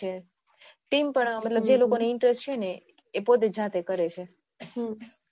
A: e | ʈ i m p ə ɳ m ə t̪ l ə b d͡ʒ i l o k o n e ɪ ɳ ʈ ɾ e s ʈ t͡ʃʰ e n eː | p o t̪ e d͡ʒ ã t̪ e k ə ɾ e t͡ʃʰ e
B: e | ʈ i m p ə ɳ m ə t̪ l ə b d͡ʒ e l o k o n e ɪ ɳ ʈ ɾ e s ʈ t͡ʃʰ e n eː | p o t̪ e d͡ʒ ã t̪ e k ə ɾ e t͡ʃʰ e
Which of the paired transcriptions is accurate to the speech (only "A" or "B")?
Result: B